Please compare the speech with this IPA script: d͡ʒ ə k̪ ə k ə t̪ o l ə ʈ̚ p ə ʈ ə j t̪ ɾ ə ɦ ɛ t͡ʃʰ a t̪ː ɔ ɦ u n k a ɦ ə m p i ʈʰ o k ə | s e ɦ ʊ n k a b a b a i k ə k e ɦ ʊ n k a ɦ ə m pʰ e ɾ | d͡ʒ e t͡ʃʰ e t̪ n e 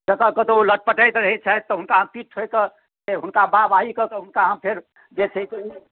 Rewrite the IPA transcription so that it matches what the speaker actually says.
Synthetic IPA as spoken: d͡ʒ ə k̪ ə k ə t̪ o l ə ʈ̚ p ə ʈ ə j t̪ ɾ ə ɦ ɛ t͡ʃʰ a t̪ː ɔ ɦ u n k a ɦ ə m p i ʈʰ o k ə | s e ɦ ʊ n k a b a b a i k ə k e ɦ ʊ n k a ɦ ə m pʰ e ɾ | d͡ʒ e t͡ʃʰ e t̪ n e